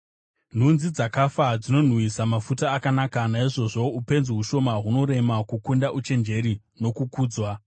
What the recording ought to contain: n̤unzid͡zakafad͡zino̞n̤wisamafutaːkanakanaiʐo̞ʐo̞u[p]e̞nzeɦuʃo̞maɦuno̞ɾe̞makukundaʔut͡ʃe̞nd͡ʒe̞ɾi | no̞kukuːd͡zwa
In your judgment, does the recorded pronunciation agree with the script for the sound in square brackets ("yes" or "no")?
yes